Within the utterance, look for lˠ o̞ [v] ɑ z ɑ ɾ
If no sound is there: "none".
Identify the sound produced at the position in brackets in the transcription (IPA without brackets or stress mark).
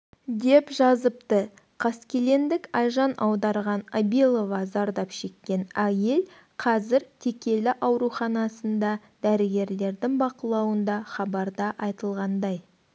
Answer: v